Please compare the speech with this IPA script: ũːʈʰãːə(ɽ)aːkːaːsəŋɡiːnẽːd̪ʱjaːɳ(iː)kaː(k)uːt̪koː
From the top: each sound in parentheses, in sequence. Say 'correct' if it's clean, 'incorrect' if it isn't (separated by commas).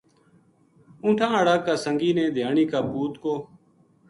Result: correct, correct, incorrect